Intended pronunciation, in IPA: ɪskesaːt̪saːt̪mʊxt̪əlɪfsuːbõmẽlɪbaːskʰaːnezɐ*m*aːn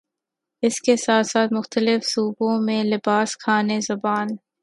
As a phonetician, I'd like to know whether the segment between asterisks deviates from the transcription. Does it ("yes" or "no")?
yes